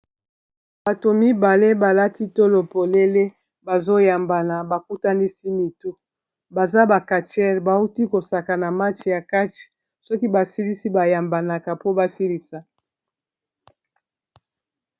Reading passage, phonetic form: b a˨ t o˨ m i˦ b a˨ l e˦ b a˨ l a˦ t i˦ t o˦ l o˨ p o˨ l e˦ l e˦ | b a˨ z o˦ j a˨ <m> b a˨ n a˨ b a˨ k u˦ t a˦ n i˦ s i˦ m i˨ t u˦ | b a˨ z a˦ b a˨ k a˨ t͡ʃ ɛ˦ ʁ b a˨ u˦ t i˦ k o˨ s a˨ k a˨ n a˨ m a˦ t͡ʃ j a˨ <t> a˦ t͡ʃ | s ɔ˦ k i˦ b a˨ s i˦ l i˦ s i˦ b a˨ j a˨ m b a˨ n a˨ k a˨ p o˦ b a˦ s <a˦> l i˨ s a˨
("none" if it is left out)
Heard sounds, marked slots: m, k, i˦

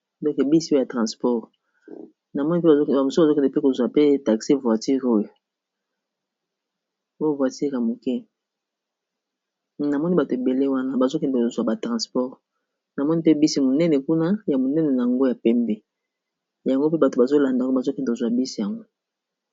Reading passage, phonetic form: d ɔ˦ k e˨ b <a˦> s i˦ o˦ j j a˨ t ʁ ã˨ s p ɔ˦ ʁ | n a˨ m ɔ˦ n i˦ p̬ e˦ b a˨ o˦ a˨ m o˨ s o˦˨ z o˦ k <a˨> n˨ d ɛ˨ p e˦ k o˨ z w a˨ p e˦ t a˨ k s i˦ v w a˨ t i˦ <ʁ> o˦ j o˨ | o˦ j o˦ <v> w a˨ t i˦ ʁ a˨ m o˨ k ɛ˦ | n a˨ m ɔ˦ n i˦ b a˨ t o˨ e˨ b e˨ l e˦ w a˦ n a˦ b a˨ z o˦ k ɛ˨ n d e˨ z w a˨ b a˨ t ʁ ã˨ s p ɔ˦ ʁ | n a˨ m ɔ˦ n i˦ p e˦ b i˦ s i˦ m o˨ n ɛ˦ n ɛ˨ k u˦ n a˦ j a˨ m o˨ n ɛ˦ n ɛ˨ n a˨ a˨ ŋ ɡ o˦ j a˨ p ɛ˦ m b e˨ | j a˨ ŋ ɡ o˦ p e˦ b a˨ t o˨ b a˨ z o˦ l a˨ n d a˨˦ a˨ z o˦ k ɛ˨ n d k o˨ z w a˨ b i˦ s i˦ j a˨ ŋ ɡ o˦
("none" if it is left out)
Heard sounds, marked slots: i˦, ɛ˨, ʁ, v

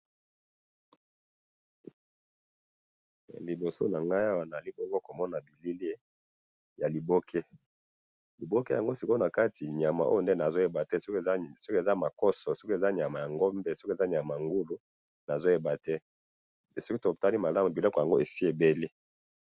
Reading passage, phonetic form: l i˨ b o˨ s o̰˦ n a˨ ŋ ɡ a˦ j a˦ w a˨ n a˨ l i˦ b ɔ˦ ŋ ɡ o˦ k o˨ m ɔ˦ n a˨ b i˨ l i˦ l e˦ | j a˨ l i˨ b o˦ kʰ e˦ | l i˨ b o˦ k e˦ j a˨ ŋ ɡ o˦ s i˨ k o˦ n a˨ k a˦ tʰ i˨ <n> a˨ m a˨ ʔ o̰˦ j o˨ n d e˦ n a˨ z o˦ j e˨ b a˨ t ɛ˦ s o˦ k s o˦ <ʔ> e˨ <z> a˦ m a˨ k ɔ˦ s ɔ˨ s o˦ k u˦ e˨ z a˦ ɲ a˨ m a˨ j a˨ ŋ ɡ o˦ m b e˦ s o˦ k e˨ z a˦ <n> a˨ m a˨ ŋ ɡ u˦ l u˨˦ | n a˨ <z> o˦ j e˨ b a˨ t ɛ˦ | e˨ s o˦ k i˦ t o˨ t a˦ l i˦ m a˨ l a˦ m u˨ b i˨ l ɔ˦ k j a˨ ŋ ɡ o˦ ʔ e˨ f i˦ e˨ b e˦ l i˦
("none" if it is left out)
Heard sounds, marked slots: ɲ, k, z, ɲ, z

